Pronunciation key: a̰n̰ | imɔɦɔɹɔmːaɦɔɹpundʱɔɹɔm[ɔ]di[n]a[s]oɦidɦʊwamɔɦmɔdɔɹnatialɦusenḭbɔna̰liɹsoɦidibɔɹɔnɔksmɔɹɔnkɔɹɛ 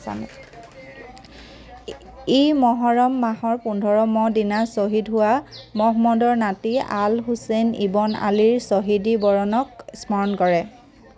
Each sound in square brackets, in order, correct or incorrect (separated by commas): correct, correct, correct